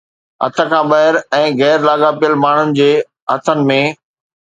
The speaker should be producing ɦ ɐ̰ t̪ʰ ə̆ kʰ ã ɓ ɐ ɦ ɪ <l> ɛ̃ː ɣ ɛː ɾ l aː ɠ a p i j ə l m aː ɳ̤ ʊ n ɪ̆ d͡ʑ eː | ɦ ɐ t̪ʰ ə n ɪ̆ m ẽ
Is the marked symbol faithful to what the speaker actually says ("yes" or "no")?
no